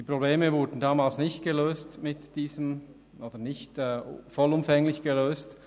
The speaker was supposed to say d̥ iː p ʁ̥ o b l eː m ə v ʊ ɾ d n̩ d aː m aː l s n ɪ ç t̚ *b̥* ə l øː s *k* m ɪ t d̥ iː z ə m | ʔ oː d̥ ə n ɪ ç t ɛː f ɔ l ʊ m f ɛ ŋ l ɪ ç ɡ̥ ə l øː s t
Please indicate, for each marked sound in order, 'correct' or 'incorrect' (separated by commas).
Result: incorrect, incorrect